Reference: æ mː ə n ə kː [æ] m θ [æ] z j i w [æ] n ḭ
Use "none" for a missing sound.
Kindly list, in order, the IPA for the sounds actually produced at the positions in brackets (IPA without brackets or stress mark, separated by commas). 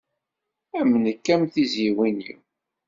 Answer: æ, i, i